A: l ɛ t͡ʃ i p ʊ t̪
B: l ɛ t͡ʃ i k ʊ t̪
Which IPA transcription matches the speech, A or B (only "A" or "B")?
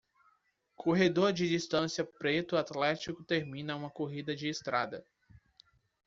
B